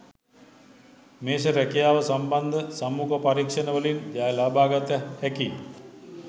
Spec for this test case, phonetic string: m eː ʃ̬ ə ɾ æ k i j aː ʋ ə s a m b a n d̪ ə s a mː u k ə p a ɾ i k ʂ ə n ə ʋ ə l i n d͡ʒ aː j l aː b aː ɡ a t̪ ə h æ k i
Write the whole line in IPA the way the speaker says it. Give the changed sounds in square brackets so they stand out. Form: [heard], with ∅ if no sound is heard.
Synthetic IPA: m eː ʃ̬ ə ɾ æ k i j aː ʋ ə s a m b a n d̪ ə s a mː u k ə p a ɾ i k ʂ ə n ə ʋ ə l i n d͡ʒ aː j l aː b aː ɡ a t̪ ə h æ k i

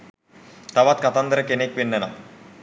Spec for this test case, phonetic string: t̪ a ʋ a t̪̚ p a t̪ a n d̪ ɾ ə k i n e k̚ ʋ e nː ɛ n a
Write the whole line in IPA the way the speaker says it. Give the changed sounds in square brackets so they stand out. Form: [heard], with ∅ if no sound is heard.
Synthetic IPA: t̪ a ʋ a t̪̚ [k] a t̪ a n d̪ ɾ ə k [e] n e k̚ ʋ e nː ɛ n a

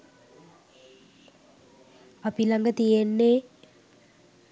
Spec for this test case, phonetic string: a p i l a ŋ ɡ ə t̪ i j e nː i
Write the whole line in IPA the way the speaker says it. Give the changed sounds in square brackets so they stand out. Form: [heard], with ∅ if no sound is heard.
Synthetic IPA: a p i l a ŋ ɡ ə t̪ i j e nː [e]

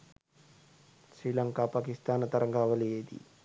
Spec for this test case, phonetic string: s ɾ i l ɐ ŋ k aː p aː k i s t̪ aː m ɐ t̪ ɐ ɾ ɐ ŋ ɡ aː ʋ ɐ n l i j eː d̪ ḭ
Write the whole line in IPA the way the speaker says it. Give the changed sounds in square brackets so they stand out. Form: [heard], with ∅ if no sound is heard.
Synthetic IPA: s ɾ i l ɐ ŋ k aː p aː k i s t̪ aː [n] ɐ t̪ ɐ ɾ ɐ ŋ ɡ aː ʋ ɐ [∅] l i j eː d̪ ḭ

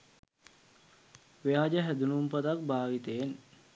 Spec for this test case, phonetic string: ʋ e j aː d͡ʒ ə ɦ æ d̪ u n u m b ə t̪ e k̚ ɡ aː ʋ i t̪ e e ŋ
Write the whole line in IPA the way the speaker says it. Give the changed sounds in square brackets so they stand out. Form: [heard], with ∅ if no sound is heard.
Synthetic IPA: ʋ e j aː d͡ʒ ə ɦ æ d̪ u n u m [p] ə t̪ [a] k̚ [b] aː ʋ i t̪ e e [n]

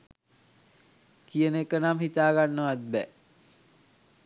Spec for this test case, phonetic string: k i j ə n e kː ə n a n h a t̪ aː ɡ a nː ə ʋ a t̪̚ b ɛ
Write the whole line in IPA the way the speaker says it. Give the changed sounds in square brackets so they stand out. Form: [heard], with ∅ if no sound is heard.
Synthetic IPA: k i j ə n e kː ə n a [m] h [i] t̪ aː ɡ a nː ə ʋ a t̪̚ b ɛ

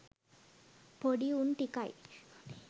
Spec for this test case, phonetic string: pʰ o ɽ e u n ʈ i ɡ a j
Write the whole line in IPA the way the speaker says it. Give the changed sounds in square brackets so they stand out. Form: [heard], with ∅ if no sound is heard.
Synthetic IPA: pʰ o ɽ [i] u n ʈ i [k] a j

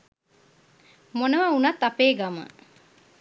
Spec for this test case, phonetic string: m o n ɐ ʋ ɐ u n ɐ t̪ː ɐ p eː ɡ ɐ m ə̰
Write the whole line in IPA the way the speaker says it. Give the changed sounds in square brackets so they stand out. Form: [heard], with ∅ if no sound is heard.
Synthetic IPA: m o n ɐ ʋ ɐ u n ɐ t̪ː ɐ p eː ɡ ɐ m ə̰

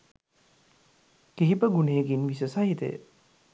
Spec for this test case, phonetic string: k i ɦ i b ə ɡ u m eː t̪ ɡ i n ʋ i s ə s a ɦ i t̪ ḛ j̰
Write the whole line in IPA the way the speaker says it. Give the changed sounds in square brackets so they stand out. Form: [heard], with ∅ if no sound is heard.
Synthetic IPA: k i ɦ i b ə ɡ u [n] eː [∅] ɡ i n ʋ i s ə s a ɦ i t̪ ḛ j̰

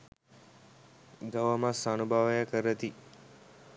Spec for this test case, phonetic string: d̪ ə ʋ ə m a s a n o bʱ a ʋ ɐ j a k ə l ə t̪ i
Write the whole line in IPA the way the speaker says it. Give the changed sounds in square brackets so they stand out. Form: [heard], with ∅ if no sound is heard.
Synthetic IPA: d̪ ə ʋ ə m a s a n [u] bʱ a ʋ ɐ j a k ə [ɾ] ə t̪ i

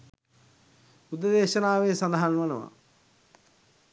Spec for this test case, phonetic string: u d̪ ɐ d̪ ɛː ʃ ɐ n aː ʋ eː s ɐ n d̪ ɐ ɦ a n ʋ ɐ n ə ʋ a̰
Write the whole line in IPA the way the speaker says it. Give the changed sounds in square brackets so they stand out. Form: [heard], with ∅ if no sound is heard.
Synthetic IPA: u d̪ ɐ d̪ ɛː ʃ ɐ n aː ʋ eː s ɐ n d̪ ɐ ɦ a n ʋ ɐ n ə ʋ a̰

